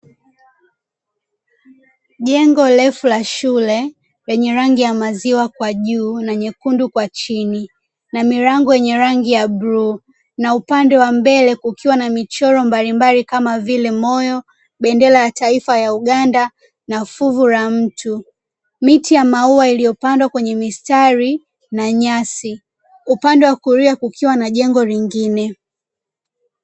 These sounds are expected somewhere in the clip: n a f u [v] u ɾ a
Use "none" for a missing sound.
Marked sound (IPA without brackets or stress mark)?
v